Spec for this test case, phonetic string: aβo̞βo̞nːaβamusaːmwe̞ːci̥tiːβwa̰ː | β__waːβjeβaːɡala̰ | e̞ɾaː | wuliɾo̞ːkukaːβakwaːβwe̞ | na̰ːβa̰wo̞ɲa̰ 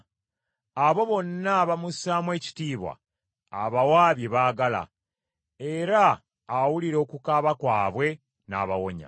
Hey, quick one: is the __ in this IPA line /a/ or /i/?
a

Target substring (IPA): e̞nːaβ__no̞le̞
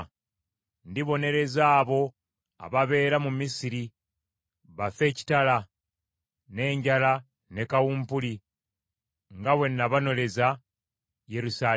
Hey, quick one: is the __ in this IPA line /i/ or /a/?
a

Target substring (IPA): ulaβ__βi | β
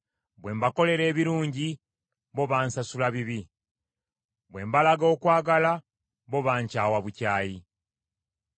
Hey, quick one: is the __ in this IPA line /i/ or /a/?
i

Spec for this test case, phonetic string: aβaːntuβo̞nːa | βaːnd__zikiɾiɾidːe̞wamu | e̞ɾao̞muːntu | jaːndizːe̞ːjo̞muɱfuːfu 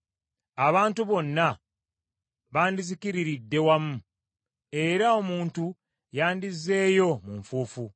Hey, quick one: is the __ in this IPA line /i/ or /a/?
i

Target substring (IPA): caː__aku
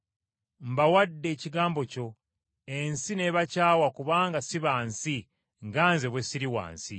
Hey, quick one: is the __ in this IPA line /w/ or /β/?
w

